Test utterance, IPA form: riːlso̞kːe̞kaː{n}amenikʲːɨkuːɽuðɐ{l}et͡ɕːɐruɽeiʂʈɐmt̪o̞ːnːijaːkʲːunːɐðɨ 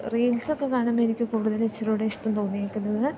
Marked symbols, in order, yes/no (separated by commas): no, yes